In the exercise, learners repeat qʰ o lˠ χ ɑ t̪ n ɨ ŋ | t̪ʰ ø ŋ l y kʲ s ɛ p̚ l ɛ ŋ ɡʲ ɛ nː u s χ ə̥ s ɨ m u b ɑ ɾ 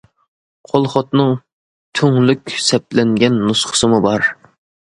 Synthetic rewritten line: qʰ o lˠ χ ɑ t̪ n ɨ ŋ | t̪ʰ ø ŋ l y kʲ s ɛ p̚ l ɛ ŋ ɡʲ ɛ nː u s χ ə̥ s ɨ m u b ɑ ɾ

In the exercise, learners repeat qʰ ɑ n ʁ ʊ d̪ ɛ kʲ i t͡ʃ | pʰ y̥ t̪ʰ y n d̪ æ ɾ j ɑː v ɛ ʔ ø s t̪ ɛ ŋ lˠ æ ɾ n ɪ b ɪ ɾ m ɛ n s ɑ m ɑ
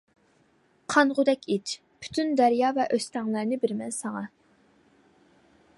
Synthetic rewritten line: qʰ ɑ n ʁ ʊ d̪ ɛ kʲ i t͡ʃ | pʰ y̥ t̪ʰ y n d̪ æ ɾ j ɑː v ɛ ʔ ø s t̪ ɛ ŋ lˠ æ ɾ n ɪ b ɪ ɾ m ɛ n s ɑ ŋ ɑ

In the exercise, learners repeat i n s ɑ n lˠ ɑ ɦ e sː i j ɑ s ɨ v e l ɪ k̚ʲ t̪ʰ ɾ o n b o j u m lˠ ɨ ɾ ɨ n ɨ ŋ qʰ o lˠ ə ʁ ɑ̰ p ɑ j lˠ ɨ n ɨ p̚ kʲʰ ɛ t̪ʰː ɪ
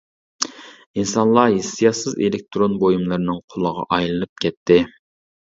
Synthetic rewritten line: i n s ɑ n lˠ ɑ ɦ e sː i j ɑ s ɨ z e l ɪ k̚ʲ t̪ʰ ɾ o n b o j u m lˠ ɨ ɾ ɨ n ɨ ŋ qʰ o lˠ ə ʁ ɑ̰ ʔ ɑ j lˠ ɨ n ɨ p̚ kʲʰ ɛ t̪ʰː ɪ

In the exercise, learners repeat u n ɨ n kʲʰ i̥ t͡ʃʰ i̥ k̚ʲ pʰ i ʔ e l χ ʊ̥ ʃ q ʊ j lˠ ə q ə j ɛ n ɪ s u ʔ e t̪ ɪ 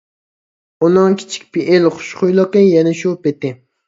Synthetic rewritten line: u n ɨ ŋ kʲʰ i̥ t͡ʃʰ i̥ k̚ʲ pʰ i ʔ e l χ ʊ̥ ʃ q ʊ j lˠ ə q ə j ɛ n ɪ ʃ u p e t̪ ɪ

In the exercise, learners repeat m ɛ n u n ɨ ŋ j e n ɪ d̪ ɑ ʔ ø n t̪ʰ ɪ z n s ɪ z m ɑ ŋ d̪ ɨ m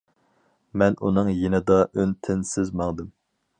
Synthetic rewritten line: m ɛ n u n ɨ ŋ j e n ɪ d̪ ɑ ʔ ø n t̪ʰ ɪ n s ɪ z m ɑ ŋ d̪ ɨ m

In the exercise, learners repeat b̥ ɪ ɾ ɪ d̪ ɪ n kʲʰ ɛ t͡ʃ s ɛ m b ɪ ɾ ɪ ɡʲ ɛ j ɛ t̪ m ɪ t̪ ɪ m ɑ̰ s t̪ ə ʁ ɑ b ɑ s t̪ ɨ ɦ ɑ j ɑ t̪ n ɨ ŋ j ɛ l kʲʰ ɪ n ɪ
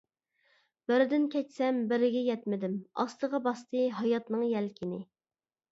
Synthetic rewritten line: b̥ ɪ ɾ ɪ d̪ ɪ n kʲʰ ɛ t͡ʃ s ɛ m b ɪ ɾ ɪ ɡʲ ɛ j ɛ t̪ m ɪ d̪ ɪ m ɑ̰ s t̪ ə ʁ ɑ b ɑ s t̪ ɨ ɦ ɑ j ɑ t̪ n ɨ ŋ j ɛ l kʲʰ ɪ n ɪ

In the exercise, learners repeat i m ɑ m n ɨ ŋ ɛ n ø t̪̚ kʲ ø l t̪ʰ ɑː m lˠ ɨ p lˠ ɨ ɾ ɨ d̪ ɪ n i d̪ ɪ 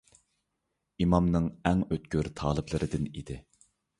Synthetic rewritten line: i m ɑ m n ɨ ŋ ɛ ŋ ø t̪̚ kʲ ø ɾ t̪ʰ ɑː lˠ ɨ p lˠ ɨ ɾ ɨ d̪ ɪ n i d̪ ɪ

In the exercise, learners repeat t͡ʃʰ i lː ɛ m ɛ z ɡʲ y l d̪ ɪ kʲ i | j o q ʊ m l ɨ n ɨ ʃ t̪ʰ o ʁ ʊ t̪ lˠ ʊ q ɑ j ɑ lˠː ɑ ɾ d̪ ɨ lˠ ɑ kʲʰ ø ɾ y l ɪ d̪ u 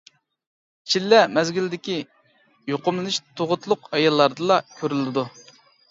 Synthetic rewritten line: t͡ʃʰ i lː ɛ m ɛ z ɡʲ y l d̪ ɪ kʲ i | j o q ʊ m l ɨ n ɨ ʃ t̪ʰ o ʁ ʊ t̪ lˠ ʊ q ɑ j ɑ lˠː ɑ ɾ d̪ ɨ lˠ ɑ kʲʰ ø ɾ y l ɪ d̪ u

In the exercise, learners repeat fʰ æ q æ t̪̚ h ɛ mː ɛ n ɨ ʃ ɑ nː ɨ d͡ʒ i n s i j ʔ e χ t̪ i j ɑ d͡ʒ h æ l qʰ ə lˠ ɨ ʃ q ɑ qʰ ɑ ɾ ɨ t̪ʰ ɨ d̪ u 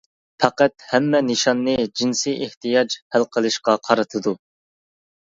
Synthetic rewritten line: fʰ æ q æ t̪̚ h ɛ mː ɛ n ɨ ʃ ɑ nː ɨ d͡ʒ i n s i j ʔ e h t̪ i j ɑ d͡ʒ h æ l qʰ ə lˠ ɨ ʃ q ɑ qʰ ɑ ɾ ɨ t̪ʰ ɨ d̪ u

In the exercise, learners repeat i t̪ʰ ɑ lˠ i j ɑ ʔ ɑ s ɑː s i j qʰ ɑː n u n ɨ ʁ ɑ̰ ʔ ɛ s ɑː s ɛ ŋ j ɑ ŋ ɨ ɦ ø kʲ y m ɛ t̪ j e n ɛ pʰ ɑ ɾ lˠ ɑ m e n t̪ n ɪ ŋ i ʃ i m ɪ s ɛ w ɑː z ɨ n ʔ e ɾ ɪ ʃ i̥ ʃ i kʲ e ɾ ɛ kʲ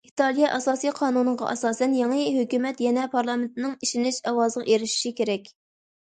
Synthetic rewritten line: i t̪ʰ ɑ lˠ i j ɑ ʔ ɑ s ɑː s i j qʰ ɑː n u n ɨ ʁ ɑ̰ ʔ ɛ s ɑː s ɛ n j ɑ ŋ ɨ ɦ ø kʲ y m ɛ t̪ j ɛ n ɛ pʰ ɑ ɾ lˠ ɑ m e n t̪ n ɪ ŋ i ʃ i n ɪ ʃ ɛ w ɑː z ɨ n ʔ e ɾ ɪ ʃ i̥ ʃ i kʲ e ɾ ɛ kʲ

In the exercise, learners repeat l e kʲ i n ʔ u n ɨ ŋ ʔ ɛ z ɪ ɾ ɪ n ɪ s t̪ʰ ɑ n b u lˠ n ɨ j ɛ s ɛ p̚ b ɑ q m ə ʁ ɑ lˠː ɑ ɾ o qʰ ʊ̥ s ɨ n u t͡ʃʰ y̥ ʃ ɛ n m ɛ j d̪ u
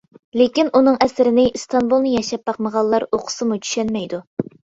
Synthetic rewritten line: l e kʲ i n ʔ u n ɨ ŋ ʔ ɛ s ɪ ɾ ɪ n ɪ s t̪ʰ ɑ n b u lˠ n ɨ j ɛ ʃ ɛ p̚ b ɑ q m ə ʁ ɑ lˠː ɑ ɾ o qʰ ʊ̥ s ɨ m u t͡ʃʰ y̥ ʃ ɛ n m ɛ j d̪ u

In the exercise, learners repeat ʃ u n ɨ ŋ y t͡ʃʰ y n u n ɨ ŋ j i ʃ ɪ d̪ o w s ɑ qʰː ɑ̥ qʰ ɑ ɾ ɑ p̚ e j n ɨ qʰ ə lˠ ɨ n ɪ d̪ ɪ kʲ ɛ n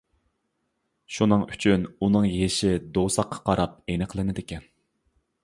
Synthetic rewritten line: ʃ u n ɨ ŋ y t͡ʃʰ y n u n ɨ ŋ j e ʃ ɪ d̪ o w s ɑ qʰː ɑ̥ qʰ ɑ ɾ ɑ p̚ e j n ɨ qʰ ə lˠ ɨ n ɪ d̪ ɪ kʲ ɛ n

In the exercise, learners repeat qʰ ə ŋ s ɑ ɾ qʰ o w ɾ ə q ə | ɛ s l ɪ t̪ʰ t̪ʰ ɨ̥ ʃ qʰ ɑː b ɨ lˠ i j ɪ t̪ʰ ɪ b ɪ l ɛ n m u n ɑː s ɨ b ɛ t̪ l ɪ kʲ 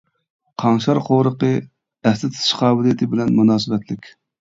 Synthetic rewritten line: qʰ ɑ ŋ ʃ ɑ ɾ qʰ o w ɾ ə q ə | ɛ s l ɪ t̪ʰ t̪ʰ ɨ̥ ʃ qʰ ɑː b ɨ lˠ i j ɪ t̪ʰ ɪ b ɪ l ɛ n m u n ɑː s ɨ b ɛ t̪ l ɪ kʲ

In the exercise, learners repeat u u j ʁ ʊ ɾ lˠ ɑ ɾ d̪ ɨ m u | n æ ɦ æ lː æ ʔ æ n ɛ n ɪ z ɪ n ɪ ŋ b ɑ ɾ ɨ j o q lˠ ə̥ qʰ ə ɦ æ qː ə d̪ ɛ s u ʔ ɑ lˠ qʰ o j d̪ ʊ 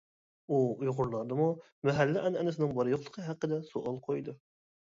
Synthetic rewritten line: u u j ʁ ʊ ɾ lˠ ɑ ɾ d̪ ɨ m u | m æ ɦ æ lː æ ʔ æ n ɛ n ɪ s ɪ n ɪ ŋ b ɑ ɾ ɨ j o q lˠ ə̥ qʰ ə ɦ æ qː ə d̪ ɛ s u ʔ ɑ lˠ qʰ o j d̪ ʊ

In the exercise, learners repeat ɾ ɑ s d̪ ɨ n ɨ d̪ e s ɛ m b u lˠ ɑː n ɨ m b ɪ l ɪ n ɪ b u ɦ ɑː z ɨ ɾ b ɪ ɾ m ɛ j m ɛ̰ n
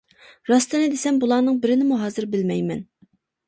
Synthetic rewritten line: ɾ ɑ s t̪ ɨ n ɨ d̪ e s ɛ m b u lˠ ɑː n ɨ ŋ b ɪ ɾ ɪ n ɪ m u ɦ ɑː z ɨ ɾ b ɪ l m ɛ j m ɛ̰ n

